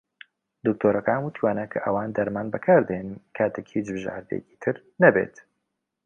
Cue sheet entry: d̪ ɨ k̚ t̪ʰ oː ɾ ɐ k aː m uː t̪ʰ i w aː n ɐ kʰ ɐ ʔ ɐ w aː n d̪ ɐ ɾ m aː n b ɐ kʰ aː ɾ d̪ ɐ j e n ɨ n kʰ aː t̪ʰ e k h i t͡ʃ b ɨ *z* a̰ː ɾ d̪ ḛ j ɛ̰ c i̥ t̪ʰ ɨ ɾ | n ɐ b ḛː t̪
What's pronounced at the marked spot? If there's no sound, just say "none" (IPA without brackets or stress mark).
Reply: ʒ